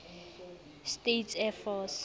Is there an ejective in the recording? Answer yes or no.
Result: no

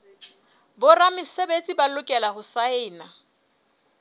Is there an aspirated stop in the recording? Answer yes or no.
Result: no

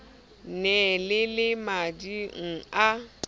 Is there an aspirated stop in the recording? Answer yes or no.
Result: no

